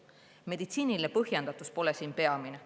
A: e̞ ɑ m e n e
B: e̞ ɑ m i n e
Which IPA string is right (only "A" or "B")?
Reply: B